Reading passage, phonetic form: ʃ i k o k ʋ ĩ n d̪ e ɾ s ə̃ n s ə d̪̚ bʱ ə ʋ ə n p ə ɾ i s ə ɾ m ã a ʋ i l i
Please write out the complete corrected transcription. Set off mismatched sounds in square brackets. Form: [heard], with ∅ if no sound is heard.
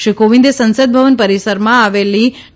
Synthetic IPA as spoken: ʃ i k o [∅] ʋ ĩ n d̪ e [∅] s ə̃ n s ə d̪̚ bʱ ə ʋ ə n p ə ɾ i s ə ɾ m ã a ʋ [e] l i